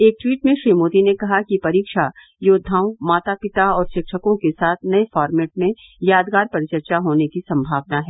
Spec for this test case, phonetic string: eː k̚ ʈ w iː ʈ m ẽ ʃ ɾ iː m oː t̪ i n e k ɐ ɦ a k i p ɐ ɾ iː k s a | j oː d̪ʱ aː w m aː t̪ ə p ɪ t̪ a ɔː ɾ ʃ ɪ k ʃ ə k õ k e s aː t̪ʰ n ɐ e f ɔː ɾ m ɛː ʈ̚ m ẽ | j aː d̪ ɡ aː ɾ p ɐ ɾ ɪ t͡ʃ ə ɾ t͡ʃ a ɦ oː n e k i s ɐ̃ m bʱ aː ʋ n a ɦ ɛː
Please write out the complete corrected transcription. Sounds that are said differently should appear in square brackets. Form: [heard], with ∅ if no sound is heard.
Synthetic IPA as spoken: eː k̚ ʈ w iː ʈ m ẽ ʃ ɾ iː m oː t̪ i n e k ɐ ɦ a k i p ɐ ɾ iː k [ʃ] a | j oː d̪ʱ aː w m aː t̪ [a] p ɪ t̪ a ɔː ɾ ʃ ɪ k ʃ ə k õ k e s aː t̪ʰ n ɐ e f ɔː ɾ m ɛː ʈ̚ m ẽ | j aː d̪ ɡ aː ɾ p ɐ ɾ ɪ t͡ʃ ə ɾ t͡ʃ a ɦ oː n e k i s ɐ̃ m bʱ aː ʋ n a ɦ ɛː